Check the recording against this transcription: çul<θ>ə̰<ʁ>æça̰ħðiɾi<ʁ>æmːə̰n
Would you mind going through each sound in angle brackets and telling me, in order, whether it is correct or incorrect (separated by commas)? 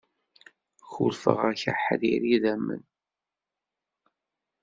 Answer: incorrect, correct, incorrect